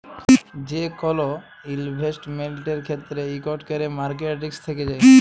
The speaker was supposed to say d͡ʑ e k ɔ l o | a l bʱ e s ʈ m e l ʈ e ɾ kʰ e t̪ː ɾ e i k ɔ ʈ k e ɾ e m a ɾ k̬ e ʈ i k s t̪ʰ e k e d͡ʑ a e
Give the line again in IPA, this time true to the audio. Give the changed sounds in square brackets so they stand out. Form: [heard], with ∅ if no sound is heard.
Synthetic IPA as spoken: d͡ʑ e k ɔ l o | [i] l bʱ e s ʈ m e l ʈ e ɾ kʰ e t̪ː ɾ e i k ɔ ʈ k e ɾ e m a ɾ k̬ e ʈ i k s t̪ʰ e k e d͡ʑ a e